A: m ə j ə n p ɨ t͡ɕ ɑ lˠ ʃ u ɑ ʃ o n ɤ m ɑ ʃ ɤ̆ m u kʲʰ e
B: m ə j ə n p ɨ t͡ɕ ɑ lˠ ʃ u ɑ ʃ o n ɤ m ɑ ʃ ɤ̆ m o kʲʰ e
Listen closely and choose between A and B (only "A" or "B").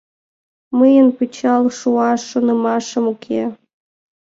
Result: A